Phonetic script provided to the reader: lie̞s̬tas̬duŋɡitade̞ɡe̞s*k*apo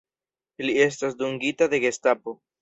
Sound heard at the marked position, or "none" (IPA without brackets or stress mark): t